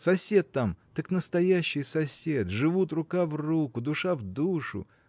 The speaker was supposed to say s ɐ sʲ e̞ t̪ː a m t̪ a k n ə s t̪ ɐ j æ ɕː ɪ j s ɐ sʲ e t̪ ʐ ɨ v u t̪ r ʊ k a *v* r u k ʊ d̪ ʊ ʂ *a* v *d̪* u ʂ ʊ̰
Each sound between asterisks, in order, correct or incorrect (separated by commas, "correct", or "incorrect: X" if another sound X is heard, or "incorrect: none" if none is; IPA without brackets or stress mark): correct, correct, correct